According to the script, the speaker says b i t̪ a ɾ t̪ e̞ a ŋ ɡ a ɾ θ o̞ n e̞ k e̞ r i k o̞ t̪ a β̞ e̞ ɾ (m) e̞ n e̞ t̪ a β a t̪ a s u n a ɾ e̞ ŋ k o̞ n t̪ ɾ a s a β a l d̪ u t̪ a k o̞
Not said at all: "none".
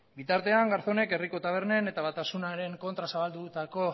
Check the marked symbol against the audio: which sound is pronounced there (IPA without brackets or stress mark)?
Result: n